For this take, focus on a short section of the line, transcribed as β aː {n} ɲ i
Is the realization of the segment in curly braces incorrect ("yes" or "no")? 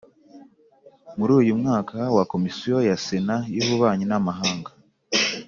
yes